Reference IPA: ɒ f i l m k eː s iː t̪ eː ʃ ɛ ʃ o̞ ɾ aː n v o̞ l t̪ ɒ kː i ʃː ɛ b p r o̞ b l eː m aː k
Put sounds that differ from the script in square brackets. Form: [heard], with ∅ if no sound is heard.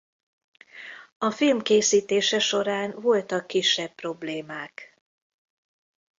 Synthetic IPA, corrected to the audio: ɒ f i l m k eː s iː t̪ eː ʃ ɛ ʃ o̞ ɾ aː n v o̞ l t̪ ɒ kː i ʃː ɛ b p r o̞ b l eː m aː k